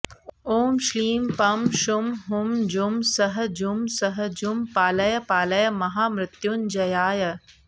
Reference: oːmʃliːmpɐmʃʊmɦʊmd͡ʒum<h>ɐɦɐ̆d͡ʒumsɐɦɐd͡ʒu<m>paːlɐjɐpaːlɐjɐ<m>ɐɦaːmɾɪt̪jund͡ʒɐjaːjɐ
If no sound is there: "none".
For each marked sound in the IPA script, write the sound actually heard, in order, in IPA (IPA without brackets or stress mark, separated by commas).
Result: s, m, m